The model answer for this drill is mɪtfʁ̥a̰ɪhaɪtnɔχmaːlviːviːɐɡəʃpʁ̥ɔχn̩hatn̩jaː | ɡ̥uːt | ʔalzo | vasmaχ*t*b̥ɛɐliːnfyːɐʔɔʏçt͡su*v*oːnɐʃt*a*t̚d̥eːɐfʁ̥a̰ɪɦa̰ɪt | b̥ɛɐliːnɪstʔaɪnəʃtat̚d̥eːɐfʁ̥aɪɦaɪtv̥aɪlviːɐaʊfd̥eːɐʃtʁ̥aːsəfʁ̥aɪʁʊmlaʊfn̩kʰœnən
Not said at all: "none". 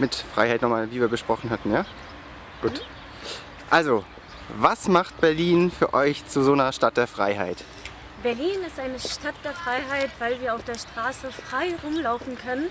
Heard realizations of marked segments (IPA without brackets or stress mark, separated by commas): t, z, a